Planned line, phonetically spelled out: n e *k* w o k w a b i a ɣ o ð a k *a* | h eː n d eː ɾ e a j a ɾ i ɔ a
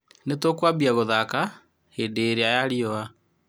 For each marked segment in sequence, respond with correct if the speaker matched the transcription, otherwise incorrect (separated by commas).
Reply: incorrect, correct